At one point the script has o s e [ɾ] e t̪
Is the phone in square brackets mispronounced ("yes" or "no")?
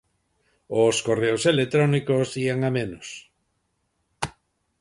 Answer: yes